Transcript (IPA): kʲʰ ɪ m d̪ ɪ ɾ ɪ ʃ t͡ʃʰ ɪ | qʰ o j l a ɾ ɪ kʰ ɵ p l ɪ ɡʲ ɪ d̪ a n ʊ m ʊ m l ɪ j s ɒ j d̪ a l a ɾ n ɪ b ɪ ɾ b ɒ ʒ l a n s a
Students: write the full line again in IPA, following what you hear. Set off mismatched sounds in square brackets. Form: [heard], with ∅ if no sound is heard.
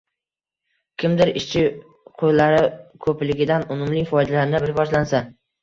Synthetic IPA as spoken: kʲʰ ɪ m d̪ ɪ ɾ ɪ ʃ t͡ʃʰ ɪ | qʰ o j l a ɾ ɪ kʰ ɵ p l ɪ ɡʲ ɪ d̪ a n ʊ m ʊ m l ɪ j [f] ɒ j d̪ a l a ɾ n ɪ b ɪ ɾ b ɒ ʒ l a n s a